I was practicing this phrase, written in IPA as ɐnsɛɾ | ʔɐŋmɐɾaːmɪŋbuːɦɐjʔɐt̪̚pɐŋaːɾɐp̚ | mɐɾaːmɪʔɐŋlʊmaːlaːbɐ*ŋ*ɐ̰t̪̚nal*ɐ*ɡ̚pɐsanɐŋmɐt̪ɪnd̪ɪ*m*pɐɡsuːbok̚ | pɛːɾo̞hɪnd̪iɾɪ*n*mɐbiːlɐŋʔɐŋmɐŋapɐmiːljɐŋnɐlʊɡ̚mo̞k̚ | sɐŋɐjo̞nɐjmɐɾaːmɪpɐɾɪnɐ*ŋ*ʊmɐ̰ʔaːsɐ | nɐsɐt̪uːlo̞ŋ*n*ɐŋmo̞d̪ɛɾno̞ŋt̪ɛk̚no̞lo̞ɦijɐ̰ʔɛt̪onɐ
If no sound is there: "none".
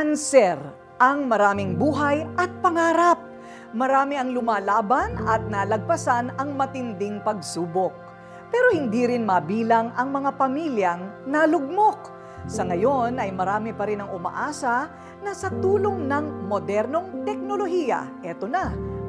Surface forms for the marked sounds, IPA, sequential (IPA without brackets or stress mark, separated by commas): n, ɐ, ŋ, n, ŋ, n